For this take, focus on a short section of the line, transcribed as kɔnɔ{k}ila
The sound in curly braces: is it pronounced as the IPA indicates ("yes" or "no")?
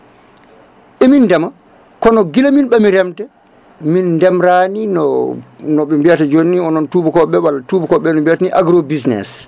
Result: no